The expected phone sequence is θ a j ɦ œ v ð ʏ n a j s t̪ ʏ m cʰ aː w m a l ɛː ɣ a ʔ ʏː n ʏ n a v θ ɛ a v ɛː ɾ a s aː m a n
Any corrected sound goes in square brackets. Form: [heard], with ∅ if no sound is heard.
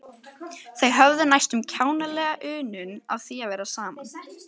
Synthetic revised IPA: θ [e] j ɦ œ v ð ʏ n a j s t̪ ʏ m cʰ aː w [n] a l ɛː ɣ a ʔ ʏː n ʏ n a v θ [i] a v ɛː ɾ a s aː m a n